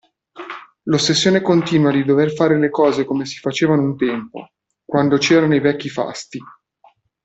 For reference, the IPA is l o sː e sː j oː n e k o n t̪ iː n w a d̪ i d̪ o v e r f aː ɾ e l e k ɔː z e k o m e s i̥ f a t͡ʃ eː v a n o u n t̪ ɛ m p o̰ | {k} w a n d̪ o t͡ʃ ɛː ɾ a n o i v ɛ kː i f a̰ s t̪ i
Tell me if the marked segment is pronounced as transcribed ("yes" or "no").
yes